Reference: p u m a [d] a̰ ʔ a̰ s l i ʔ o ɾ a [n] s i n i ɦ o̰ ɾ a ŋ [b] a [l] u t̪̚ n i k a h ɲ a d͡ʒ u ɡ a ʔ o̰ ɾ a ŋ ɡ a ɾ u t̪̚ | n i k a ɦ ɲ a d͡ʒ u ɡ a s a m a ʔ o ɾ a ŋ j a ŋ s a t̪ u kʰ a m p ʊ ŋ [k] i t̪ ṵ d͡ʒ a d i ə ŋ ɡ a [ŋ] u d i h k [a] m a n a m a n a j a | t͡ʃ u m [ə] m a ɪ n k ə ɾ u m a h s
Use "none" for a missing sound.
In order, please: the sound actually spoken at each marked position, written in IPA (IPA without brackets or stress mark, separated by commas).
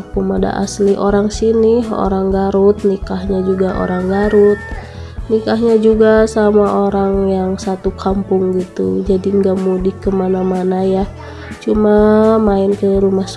d, ŋ, ɡ, ɾ, ɡ, m, ə, a